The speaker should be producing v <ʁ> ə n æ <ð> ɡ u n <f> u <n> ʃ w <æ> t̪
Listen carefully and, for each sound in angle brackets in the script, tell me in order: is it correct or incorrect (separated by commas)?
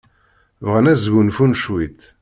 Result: correct, incorrect, correct, correct, incorrect